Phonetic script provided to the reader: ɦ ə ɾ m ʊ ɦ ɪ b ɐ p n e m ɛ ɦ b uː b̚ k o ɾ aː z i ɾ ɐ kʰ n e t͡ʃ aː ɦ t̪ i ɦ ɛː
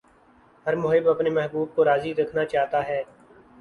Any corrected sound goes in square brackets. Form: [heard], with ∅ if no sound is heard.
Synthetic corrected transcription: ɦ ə ɾ m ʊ ɦ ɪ b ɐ p n e m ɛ ɦ b uː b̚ k o ɾ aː z i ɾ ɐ kʰ n [a] t͡ʃ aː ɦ t̪ [a] ɦ ɛː